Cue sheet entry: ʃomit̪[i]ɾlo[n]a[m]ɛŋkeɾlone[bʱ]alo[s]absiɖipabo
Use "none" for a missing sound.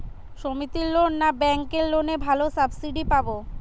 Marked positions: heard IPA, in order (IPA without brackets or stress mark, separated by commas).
i, nː, b, bʱ, s